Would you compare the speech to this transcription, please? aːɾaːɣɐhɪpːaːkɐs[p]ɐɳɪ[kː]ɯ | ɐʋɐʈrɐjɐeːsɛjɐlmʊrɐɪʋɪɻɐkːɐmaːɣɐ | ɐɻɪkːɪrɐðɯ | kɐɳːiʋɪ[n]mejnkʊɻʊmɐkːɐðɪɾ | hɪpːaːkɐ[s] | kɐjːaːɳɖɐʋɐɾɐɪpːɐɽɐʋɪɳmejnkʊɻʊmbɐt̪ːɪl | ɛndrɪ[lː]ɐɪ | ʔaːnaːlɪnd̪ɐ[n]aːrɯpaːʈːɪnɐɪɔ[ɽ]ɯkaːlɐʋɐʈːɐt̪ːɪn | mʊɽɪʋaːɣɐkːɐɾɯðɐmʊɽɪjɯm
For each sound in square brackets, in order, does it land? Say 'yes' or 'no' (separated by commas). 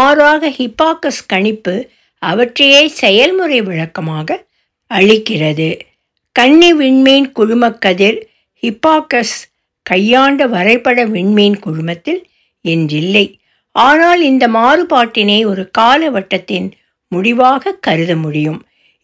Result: no, no, no, yes, yes, no, no